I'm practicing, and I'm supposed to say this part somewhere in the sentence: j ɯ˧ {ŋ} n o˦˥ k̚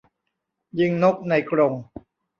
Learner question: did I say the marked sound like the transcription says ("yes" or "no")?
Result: yes